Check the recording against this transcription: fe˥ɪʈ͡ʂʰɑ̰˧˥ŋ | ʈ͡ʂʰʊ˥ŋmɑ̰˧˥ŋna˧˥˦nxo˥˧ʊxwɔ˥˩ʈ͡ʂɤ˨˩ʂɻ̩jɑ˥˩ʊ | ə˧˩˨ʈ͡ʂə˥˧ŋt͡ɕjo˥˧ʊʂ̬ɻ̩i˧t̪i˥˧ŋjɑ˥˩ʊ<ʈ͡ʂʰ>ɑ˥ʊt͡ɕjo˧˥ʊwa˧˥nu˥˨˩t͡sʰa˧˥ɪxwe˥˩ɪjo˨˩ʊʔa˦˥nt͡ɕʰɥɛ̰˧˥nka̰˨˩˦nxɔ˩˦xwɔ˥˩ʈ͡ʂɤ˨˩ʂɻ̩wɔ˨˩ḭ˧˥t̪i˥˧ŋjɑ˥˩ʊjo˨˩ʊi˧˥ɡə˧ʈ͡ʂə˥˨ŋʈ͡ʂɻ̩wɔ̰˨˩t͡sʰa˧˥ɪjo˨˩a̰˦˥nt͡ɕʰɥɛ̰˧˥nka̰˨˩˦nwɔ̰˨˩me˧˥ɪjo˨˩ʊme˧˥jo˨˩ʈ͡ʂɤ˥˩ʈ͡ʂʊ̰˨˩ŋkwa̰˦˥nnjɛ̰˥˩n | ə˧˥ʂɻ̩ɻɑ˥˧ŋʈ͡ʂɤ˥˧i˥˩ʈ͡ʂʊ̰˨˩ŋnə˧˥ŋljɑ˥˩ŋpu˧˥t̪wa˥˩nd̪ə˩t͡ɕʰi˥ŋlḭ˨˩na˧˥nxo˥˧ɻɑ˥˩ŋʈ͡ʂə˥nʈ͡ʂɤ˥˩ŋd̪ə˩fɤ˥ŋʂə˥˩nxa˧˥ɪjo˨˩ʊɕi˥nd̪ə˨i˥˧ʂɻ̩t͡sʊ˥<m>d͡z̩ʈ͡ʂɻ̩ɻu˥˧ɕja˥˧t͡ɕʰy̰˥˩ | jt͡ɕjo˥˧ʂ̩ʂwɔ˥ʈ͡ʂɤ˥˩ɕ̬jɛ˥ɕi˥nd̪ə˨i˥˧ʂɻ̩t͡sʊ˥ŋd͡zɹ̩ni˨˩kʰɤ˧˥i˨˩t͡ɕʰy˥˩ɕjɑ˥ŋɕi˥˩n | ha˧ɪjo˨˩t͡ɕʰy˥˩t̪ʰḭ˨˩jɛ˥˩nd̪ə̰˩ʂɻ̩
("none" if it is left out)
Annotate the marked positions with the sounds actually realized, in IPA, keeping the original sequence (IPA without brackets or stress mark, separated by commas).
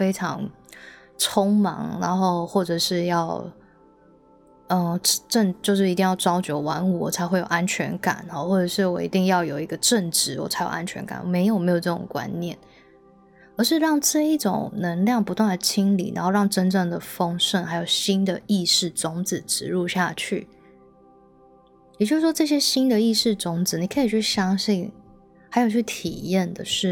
ʈ͡ʂ, ŋ